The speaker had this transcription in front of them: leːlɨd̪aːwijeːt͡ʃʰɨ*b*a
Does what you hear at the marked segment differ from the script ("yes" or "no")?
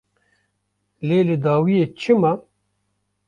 yes